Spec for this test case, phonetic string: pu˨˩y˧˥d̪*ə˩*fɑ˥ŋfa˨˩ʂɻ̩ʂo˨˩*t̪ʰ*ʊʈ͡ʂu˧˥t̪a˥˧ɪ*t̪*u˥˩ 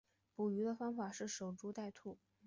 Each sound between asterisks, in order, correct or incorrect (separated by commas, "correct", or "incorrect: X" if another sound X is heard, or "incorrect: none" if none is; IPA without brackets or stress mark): incorrect: ə˧, incorrect: none, incorrect: t̪ʰ